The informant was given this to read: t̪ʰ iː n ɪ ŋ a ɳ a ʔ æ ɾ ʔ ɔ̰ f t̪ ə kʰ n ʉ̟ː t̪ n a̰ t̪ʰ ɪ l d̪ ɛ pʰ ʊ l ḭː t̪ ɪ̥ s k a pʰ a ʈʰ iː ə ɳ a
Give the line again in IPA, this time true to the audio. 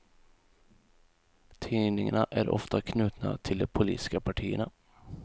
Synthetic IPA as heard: t̪ʰ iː n ɪ ŋ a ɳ a ʔ æ ɾ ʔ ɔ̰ f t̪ a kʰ n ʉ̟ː t̪ n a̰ t̪ʰ ɪ l d̪ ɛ pʰ ʊ l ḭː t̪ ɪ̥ s k a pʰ a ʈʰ iː ə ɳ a